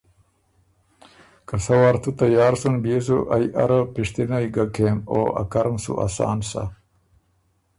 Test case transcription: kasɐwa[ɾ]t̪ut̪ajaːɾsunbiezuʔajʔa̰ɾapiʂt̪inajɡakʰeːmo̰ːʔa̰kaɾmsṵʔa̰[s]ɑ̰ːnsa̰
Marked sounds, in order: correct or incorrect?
correct, correct

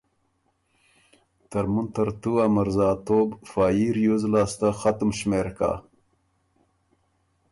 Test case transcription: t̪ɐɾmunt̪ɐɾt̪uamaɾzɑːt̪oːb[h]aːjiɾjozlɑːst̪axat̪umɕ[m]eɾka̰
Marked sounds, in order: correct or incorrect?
incorrect: f, correct

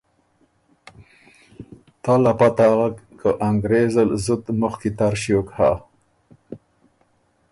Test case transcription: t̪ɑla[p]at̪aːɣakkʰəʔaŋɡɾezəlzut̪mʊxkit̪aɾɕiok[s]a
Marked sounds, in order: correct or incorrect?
correct, incorrect: h

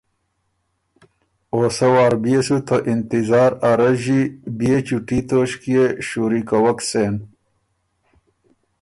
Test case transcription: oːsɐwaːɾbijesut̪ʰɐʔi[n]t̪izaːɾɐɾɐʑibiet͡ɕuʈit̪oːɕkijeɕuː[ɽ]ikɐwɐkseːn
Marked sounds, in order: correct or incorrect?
correct, incorrect: ɾ

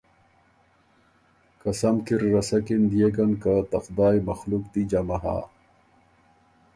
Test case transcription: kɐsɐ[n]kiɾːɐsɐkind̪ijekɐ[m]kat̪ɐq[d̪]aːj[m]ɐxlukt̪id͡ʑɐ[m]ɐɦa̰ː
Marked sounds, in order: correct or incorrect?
incorrect: m, incorrect: n, correct, correct, correct

